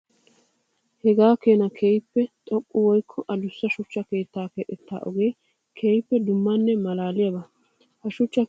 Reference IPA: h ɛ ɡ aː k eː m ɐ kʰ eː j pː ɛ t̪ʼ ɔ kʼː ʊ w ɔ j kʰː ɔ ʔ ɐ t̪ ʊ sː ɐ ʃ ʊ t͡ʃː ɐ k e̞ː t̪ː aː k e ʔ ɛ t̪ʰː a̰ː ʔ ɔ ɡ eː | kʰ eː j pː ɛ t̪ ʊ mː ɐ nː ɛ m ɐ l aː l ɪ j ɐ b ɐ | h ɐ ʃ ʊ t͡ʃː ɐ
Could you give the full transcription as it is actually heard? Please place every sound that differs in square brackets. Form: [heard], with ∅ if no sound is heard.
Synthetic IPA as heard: h ɛ ɡ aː k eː [n] ɐ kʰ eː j pː ɛ t̪ʼ ɔ kʼː ʊ w ɔ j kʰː ɔ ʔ ɐ [d̪] ʊ sː ɐ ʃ ʊ t͡ʃː ɐ k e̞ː t̪ː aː k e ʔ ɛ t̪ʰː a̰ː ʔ ɔ ɡ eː | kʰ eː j pː ɛ [d̪] ʊ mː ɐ nː ɛ m ɐ l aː l ɪ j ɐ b ɐ | h ɐ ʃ ʊ t͡ʃː ɐ